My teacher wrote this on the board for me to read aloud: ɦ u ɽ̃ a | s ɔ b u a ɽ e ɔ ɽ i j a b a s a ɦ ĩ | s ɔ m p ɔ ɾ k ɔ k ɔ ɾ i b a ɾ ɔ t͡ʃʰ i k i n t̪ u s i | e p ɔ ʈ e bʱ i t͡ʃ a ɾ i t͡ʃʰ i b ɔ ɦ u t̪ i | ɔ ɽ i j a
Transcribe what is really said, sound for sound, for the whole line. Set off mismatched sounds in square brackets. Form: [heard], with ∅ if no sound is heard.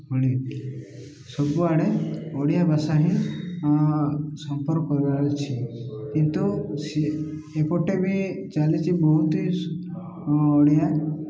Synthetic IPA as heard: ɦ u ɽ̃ [i] | s ɔ b u a ɽ e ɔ ɽ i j a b a s a ɦ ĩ | s ɔ m p ɔ ɾ k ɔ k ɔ ɾ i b a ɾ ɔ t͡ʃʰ i k i n t̪ u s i | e p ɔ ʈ e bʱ i t͡ʃ a [l] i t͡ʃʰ i b ɔ ɦ u t̪ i | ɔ ɽ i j a